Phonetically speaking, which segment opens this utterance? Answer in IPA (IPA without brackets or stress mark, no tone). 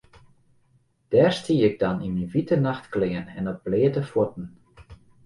d̥